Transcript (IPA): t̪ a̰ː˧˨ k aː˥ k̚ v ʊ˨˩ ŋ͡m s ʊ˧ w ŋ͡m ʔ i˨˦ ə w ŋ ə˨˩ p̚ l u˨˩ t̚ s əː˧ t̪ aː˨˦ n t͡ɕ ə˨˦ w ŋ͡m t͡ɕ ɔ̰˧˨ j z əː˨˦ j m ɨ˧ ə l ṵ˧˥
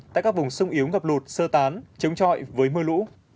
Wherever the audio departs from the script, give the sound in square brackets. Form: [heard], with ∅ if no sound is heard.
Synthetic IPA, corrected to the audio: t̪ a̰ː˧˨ k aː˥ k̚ v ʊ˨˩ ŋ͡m s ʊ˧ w ŋ͡m ʔ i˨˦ ə w ŋ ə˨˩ p̚ l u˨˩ t̚ s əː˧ t̪ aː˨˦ n t͡ɕ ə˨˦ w ŋ͡m t͡ɕ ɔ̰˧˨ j [v] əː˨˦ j m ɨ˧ ə l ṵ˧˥

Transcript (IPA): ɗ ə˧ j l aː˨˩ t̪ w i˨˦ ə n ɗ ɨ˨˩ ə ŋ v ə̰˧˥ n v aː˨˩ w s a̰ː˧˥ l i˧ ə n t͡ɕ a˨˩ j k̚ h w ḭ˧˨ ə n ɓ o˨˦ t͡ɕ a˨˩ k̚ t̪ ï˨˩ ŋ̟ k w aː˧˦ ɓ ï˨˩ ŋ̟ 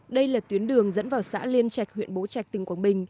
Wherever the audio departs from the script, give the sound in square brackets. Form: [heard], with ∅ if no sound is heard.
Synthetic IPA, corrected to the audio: ɗ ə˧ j l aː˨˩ t̪ w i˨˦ ə n ɗ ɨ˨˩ ə ŋ [z] ə̰˧˥ n v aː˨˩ w s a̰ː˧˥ l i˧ ə n t͡ɕ a˨˩ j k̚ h w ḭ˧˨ ə n ɓ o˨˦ t͡ɕ a˨˩ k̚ t̪ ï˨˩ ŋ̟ k w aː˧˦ ɓ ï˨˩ ŋ̟

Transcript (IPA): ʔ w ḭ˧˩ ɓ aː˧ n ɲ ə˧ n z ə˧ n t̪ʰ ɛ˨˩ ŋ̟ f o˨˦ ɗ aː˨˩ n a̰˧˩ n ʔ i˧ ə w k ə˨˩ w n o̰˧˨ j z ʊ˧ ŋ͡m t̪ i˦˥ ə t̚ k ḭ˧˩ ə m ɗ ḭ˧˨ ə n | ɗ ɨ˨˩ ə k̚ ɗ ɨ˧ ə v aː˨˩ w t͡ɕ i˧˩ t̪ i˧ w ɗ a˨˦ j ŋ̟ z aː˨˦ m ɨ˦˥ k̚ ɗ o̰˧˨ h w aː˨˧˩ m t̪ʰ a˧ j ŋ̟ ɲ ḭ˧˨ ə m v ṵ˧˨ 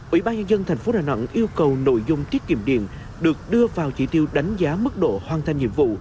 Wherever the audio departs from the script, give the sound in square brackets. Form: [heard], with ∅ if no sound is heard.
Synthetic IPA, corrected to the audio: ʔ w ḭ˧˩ ɓ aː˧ n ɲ ə˧ n z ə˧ n t̪ʰ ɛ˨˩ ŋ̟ f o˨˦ ɗ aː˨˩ n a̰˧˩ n ʔ i˧ ə w k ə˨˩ w n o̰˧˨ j z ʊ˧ ŋ͡m t̪ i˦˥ ə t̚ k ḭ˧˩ ə m ɗ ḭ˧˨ ə n | ɗ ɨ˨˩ ə k̚ ɗ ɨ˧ ə v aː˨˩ w t͡ɕ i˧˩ t̪ i˧ w ɗ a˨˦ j ŋ̟ z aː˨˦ m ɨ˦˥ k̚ ɗ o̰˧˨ h w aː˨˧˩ [n] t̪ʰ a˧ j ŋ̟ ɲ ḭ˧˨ ə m v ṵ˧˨

